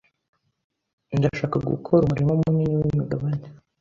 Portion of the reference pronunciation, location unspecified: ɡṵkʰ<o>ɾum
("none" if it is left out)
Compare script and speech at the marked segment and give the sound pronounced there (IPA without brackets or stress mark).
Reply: o